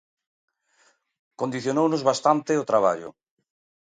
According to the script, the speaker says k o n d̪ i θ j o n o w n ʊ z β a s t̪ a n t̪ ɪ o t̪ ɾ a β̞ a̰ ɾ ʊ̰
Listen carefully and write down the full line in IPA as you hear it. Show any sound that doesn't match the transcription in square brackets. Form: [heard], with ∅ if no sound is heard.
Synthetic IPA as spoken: k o n d̪ i θ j o n o w n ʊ z β a s t̪ a n t̪ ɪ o t̪ ɾ a β̞ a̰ [ʎ] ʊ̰